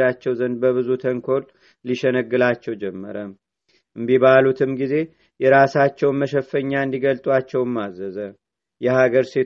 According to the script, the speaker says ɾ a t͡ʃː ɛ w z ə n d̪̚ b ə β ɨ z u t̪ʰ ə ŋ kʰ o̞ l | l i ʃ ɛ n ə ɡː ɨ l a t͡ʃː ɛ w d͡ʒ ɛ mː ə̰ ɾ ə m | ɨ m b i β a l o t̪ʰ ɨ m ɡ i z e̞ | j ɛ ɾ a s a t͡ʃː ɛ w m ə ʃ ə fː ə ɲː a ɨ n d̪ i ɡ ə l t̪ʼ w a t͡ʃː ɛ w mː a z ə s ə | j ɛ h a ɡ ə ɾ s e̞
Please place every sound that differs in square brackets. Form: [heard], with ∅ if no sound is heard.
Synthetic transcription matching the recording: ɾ a t͡ʃː ɛ w z ə n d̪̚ b ə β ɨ z u t̪ʰ ə ŋ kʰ o̞ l | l i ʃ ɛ n ə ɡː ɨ l a t͡ʃː ɛ w d͡ʒ ɛ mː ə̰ ɾ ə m | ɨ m b i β a l [u] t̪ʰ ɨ m ɡ i z e̞ | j ɛ ɾ a s a t͡ʃː ɛ w m ə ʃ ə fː ə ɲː a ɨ n d̪ i ɡ ə l t̪ʼ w a t͡ʃː ɛ w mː a z ə [z] ə | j ɛ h a ɡ ə ɾ s e̞